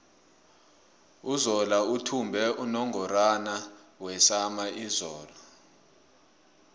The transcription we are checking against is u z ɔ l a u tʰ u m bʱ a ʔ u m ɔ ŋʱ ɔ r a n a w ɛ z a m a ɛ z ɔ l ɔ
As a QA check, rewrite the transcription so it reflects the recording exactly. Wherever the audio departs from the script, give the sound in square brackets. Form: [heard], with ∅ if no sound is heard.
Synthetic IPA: u z ɔ l a u tʰ u m bʱ [ɛ] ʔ u [n] ɔ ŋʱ ɔ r a n a w ɛ [s] a m a [i] z [ɔː] l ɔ